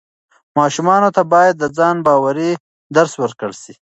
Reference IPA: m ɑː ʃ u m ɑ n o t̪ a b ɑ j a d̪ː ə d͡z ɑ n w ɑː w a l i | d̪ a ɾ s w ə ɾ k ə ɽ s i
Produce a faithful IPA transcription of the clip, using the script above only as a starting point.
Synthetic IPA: m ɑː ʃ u m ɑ n o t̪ a b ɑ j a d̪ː ə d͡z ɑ n b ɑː w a ɾ i | d̪ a ɾ s w ə ɾ k ə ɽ s i